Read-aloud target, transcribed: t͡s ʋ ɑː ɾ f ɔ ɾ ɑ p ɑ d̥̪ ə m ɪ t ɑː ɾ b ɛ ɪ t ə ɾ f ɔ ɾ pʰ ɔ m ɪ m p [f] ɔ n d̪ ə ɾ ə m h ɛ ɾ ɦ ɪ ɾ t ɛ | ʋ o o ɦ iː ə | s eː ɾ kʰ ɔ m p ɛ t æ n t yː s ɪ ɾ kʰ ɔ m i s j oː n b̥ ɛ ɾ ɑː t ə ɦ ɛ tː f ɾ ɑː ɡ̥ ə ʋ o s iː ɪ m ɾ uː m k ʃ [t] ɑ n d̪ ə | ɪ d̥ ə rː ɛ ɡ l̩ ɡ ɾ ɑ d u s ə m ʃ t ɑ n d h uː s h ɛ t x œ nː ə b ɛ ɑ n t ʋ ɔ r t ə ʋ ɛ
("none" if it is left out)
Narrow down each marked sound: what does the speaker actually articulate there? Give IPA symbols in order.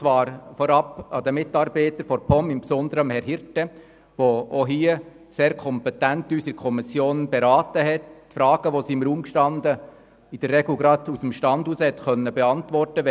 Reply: s, t

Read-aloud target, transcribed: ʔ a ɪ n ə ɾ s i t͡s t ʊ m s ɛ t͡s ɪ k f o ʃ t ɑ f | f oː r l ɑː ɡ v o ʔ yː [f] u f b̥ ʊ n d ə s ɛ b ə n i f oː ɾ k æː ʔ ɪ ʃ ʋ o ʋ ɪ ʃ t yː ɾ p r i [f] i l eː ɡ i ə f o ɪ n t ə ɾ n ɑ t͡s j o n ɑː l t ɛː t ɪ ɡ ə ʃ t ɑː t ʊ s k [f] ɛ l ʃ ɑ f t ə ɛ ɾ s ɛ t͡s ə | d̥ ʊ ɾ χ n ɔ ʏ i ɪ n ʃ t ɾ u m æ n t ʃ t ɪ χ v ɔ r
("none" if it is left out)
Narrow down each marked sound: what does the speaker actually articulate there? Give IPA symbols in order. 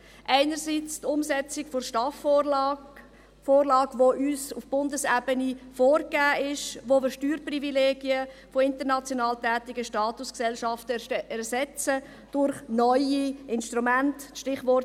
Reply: s, v, s

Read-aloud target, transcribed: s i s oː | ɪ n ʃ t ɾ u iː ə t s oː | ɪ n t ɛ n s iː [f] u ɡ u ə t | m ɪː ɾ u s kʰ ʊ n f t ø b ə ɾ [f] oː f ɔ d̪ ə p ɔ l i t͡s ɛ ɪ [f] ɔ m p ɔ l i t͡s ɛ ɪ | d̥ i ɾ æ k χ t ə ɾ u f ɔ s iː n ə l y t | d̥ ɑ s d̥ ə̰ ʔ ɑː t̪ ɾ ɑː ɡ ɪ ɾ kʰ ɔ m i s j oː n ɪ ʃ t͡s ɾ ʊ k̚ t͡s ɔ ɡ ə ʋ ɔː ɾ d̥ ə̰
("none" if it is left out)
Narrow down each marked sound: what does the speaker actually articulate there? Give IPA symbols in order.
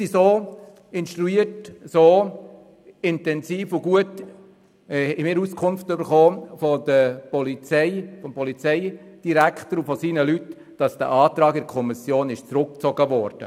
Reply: f, χ, f

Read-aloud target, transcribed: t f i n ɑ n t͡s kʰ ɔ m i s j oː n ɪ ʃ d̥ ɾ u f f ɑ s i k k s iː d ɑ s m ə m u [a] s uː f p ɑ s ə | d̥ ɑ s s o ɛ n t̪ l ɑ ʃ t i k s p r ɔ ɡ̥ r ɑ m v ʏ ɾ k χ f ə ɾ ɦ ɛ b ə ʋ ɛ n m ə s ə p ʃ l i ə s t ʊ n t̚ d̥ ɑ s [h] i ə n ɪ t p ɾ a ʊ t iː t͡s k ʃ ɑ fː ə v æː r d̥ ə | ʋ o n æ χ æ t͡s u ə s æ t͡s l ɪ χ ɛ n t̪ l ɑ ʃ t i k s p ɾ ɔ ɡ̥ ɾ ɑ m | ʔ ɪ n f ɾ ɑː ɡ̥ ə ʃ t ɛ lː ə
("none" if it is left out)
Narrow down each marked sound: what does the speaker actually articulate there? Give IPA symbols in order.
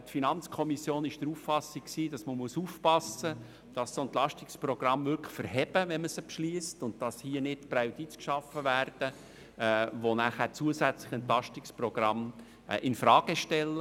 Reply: ə, h

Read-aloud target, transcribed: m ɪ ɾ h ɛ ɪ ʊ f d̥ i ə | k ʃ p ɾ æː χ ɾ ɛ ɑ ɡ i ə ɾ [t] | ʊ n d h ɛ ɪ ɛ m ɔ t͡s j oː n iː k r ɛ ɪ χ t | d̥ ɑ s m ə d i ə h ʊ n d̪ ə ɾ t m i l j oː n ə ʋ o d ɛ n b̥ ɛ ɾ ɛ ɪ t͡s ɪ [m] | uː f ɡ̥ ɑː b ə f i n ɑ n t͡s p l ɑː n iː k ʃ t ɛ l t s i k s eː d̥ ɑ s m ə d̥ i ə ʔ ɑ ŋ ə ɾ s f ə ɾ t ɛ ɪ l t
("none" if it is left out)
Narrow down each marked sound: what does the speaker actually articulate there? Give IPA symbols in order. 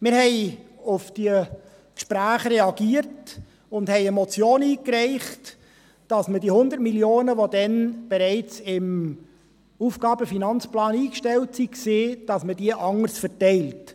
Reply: t, m

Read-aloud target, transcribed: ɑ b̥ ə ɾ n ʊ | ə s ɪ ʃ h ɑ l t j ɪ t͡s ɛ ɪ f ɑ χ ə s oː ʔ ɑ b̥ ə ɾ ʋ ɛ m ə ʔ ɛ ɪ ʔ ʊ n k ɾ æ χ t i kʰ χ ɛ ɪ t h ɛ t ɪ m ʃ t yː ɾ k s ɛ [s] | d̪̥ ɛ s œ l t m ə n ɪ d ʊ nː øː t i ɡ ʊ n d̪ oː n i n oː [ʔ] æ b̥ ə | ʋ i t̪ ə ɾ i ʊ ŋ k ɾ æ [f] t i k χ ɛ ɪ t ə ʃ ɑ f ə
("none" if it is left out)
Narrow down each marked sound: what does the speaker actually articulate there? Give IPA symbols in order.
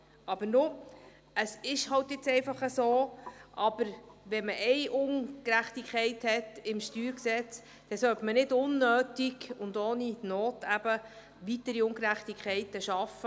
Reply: t͡s, t, χ

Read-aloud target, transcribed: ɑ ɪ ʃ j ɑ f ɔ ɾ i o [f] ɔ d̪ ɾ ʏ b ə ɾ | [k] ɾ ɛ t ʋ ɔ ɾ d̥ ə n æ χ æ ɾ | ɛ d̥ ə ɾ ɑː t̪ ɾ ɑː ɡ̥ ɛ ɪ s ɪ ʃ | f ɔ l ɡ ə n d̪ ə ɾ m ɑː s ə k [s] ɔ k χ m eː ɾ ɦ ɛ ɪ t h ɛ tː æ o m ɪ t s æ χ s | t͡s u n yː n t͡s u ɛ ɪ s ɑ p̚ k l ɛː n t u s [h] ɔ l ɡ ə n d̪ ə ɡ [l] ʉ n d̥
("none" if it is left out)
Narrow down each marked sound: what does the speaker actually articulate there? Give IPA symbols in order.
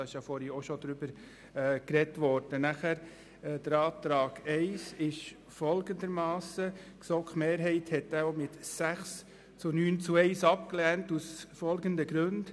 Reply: ʃ, k, s, f, ɾ

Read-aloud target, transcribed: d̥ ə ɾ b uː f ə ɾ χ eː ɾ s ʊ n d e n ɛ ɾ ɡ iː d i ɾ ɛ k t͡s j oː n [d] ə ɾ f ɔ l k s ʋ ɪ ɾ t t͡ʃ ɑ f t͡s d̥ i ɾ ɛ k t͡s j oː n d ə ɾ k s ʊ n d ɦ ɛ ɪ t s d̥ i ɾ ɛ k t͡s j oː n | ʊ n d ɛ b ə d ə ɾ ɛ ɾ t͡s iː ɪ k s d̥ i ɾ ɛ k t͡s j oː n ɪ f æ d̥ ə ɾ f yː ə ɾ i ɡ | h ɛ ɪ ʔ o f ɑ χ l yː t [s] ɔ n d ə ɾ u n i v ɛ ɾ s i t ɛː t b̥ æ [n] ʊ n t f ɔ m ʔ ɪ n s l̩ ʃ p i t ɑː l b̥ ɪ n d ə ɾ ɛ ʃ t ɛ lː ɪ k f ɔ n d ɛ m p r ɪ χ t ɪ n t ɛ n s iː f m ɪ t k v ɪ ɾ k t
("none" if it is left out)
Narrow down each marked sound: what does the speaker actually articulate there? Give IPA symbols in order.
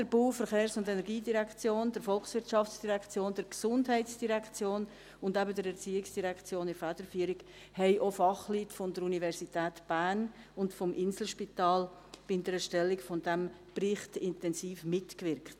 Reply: d, f, n

